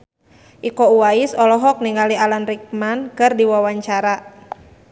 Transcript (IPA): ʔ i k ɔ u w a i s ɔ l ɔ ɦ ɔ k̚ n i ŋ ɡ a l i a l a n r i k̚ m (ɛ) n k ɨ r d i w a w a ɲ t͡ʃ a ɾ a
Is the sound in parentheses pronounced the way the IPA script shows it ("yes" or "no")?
no